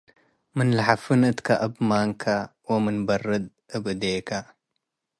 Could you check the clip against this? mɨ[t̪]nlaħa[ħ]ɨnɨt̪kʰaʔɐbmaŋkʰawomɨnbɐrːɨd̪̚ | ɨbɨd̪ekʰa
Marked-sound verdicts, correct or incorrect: incorrect, incorrect

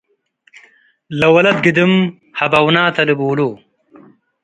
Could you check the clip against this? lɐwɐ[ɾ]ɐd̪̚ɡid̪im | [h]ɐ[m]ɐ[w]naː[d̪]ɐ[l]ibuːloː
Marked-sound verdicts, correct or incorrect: incorrect, correct, incorrect, correct, incorrect, correct

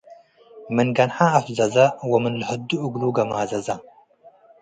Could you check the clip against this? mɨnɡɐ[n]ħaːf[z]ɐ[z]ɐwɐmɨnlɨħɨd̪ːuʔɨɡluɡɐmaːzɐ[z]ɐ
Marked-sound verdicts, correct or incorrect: correct, correct, correct, correct

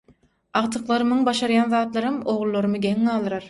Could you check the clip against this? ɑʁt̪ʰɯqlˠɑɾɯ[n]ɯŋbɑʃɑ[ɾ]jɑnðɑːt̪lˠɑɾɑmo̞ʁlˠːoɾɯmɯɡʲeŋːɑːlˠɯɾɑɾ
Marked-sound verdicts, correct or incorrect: incorrect, correct

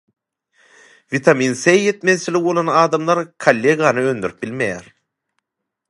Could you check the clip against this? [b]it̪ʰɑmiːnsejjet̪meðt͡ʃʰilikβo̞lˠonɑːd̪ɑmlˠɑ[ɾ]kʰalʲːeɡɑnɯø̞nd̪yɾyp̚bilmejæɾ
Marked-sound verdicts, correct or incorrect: incorrect, correct

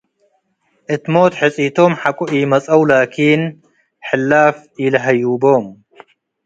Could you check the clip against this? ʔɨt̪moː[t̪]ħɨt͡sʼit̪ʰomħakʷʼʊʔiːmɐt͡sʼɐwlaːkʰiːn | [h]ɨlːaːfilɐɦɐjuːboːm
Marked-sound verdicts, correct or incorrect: correct, incorrect

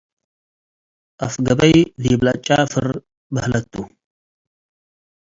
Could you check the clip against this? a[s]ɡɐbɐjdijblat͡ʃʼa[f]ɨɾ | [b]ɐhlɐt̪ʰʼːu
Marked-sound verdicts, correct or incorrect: incorrect, correct, correct

